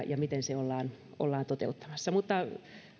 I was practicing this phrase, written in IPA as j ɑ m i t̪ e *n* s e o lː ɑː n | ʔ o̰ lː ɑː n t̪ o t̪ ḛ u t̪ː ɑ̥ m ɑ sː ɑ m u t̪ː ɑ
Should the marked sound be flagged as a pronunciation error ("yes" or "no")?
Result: no